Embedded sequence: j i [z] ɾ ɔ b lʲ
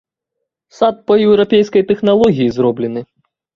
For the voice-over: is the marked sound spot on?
yes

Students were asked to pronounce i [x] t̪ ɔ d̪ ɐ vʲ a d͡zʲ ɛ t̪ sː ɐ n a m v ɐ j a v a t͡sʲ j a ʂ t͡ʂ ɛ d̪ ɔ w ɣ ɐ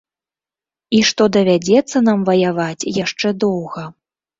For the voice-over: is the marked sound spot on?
no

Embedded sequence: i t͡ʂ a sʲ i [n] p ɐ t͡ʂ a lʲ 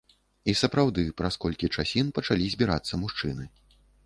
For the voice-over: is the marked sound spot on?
yes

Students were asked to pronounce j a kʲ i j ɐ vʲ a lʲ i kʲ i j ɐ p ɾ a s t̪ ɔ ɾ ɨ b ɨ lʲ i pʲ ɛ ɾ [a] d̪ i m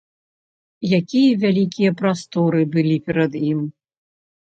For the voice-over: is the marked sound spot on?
no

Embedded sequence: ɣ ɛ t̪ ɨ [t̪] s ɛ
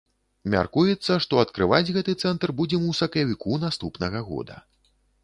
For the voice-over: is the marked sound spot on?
yes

